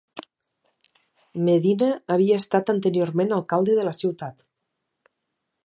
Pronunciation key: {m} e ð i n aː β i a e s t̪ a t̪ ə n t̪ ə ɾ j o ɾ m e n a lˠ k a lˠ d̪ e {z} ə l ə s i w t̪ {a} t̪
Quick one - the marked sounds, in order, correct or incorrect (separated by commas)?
correct, incorrect, correct